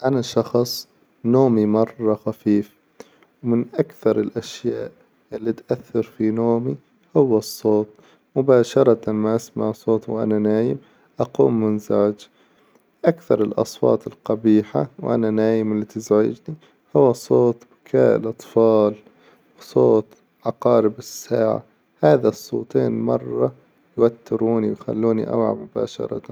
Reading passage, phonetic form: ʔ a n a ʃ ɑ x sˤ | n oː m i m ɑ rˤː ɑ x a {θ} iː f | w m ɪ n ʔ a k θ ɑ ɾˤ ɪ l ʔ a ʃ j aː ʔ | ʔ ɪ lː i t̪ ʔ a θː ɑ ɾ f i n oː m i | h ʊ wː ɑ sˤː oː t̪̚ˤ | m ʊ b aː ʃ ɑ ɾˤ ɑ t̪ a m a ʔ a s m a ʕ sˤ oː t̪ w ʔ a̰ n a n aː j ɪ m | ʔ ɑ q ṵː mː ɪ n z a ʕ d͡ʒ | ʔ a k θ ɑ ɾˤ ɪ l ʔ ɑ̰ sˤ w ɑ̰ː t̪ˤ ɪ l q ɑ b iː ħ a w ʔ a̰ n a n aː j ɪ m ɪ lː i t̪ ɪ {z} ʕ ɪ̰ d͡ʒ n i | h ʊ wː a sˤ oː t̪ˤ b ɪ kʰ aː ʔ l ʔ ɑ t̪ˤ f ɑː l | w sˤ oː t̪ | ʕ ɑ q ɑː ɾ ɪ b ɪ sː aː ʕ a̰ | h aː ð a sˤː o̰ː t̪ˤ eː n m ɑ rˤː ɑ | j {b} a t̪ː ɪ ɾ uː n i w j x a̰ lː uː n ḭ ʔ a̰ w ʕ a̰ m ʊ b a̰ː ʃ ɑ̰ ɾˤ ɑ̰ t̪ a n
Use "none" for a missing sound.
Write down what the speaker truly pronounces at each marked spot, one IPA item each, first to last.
f, z, w

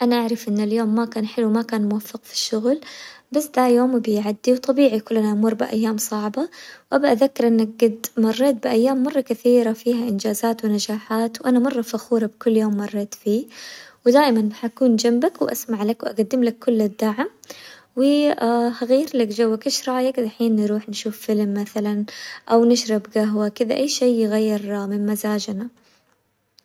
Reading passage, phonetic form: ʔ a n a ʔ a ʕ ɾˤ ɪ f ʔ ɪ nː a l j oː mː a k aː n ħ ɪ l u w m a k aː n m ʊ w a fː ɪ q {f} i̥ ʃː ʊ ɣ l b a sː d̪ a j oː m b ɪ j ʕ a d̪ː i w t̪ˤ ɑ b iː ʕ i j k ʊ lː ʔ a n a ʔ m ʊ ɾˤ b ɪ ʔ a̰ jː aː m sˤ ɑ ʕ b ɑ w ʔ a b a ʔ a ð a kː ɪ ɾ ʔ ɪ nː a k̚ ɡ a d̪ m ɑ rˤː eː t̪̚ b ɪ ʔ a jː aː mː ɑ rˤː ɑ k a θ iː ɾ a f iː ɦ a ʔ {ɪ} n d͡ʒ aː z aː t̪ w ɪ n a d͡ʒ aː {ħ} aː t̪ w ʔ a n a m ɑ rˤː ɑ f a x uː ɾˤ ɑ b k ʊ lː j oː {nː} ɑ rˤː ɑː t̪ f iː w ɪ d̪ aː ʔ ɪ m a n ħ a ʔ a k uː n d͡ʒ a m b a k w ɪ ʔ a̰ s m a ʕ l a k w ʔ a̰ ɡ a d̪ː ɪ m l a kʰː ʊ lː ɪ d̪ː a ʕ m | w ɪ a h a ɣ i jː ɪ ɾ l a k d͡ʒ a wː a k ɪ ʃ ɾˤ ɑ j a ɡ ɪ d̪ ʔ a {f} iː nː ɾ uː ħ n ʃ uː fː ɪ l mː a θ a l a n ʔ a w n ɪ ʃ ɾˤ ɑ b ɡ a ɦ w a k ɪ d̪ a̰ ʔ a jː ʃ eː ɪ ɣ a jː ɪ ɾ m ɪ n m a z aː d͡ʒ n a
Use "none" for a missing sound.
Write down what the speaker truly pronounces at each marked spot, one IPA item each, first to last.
f, ɪ, ħ, mː, ħ

